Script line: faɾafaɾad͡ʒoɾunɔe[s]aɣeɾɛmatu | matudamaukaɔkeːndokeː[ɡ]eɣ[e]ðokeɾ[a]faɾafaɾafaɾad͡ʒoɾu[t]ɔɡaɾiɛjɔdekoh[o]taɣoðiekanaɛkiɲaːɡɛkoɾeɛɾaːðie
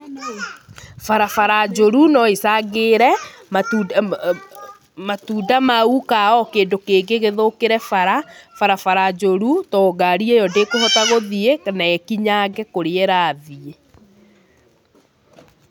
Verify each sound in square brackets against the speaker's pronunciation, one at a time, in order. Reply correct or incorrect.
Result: correct, correct, correct, incorrect, correct, incorrect

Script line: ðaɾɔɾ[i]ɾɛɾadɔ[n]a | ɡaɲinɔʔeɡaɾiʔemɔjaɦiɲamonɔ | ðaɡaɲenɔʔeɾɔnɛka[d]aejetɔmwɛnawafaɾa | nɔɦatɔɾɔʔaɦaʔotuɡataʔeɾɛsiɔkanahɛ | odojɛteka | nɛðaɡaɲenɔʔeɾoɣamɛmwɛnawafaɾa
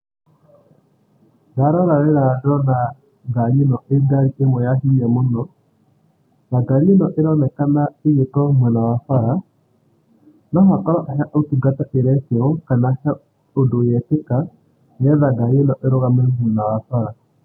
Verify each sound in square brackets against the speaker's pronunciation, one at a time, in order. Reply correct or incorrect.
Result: incorrect, correct, incorrect

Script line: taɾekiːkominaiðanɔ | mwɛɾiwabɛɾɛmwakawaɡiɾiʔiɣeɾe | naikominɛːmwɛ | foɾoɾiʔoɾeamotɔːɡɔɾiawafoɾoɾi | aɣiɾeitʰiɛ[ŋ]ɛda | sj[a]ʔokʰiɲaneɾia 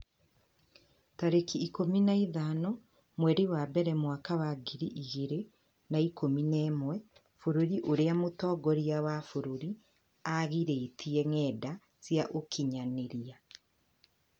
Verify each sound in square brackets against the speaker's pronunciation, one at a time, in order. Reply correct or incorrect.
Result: correct, correct

